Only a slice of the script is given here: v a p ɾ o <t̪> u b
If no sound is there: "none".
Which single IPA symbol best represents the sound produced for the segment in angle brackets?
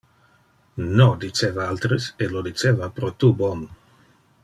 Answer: t̪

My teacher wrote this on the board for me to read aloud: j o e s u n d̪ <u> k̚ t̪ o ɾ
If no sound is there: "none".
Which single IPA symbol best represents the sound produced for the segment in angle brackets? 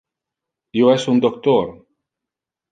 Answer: o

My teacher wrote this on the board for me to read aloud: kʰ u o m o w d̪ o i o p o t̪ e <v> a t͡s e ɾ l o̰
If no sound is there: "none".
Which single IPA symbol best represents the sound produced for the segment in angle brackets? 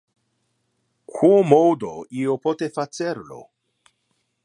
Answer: f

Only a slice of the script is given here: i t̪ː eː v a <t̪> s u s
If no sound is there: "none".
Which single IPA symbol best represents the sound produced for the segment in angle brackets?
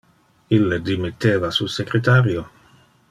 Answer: none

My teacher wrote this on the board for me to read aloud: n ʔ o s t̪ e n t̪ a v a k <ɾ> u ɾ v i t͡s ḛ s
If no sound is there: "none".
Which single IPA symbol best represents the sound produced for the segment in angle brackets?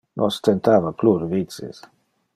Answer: l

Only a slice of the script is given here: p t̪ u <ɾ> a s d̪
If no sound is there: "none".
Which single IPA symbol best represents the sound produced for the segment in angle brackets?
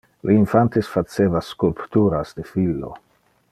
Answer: ɾ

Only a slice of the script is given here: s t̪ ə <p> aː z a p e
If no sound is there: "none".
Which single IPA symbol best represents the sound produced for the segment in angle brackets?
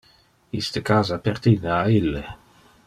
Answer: k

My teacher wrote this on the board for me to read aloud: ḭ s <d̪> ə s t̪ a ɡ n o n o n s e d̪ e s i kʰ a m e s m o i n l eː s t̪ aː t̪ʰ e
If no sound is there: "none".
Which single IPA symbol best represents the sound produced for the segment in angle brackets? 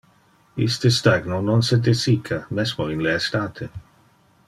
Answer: t̪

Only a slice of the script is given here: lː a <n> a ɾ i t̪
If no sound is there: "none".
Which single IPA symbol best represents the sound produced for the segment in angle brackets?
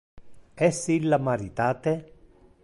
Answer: m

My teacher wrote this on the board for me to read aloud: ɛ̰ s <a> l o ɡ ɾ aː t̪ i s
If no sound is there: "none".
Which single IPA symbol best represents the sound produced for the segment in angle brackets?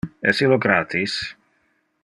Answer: i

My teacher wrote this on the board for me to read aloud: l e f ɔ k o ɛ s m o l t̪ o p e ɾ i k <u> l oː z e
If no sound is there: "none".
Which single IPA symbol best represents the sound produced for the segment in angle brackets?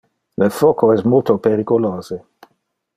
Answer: o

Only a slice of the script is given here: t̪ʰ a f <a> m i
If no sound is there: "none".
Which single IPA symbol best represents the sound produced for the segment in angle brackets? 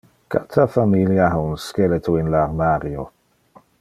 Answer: a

